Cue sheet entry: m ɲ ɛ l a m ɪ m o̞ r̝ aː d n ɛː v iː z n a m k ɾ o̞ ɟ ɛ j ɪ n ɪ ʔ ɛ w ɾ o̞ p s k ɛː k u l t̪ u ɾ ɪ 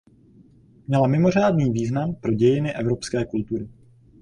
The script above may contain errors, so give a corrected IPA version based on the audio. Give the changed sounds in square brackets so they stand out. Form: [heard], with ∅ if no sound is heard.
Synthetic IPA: m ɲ ɛ l a m ɪ m o̞ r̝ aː d n [iː] v iː z n a m [p] ɾ o̞ ɟ ɛ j ɪ n ɪ ʔ ɛ [v] ɾ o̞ p s k ɛː k u l t̪ u ɾ ɪ